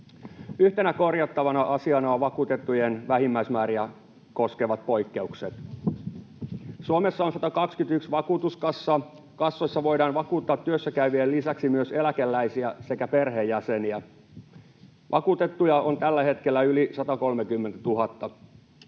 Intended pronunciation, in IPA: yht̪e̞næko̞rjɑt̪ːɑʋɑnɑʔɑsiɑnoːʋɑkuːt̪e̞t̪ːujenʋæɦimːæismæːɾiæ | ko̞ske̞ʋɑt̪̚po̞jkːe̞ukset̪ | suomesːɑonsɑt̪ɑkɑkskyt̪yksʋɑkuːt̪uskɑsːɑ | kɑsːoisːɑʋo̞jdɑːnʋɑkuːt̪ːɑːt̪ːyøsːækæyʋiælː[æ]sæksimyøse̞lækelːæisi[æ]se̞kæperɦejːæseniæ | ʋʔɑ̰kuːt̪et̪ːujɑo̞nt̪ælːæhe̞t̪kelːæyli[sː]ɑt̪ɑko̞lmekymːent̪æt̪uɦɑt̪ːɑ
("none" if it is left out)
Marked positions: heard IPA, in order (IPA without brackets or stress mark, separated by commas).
i, æ, s